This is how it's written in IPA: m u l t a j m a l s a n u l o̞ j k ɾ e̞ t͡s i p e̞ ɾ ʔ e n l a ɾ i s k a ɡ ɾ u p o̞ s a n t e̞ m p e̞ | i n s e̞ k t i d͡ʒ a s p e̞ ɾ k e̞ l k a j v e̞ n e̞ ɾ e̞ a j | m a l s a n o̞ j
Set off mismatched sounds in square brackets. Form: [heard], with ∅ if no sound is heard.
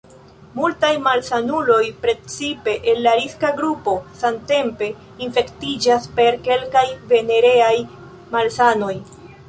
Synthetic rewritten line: m u l t a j m a l s a n u l o̞ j [p] ɾ e̞ t͡s i p e̞ [∅] ʔ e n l a ɾ i s k a ɡ ɾ u p o̞ s a n t e̞ m p e̞ | i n [f] e̞ k t i d͡ʒ a s p e̞ ɾ k e̞ l k a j v e̞ n e̞ ɾ e̞ a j | m a l s a n o̞ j